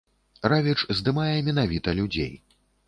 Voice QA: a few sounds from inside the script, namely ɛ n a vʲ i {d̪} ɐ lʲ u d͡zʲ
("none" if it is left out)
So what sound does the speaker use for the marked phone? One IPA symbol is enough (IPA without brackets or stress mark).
t̪